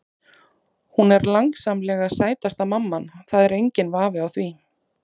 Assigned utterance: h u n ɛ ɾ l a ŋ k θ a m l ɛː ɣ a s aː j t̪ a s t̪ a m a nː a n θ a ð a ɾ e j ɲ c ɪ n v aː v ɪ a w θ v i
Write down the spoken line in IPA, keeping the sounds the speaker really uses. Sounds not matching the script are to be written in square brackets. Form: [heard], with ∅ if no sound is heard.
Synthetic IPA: h u n ɛ ɾ l a ŋ k [s] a m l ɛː ɣ a s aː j t̪ a s t̪ a m a [mː] a n θ a ð [ɛ] ɾ e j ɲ c ɪ n v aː v ɪ a w θ v i

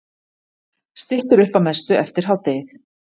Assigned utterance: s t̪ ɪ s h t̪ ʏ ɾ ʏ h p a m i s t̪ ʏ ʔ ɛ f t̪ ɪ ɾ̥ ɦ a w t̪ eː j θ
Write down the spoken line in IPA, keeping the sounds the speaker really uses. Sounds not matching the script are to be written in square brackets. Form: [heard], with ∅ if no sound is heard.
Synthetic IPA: s t̪ ɪ [∅] h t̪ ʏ ɾ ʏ h p a m [ɛ] s t̪ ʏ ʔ ɛ f t̪ ɪ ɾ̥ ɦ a w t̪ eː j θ

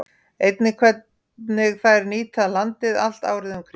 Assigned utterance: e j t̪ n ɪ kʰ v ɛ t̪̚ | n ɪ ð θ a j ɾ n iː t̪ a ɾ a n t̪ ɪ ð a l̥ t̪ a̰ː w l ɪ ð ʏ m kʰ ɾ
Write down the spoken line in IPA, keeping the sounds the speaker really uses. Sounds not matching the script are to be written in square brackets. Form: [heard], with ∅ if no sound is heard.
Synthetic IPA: e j t̪ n ɪ kʰ v ɛ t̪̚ | n ɪ [ɣ] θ a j ɾ n iː t̪ a [l] a n t̪ ɪ ð a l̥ t̪ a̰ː w [ɾ] ɪ ð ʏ m kʰ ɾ

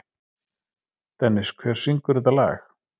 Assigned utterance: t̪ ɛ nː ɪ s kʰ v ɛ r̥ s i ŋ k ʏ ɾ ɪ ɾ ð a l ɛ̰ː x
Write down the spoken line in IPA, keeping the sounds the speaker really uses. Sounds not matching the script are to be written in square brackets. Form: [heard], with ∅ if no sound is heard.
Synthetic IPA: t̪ ɛ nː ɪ s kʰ v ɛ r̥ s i ŋ k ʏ ɾ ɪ [∅] ð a l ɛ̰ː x

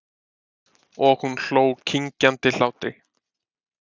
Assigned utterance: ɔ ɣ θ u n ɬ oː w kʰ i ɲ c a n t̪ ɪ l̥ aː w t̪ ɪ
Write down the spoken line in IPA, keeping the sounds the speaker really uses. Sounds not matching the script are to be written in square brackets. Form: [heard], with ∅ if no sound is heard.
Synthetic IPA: ɔ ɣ [h] u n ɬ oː w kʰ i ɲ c a n t̪ ɪ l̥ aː w t̪ ɪ

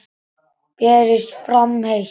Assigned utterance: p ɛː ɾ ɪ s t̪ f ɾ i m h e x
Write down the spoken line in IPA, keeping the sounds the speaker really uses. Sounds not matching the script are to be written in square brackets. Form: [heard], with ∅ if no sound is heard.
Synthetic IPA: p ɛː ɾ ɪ s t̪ f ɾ [a] m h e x

